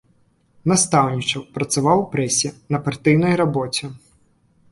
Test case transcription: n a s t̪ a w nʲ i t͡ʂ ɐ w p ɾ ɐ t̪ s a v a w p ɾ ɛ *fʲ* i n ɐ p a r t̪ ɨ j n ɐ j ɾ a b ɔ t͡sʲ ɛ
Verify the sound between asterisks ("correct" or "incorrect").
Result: incorrect